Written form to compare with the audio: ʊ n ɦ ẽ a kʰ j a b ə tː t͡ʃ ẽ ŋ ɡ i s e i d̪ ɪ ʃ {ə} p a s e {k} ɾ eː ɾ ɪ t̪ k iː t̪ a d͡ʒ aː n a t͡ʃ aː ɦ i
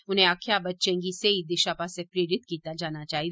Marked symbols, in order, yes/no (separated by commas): no, no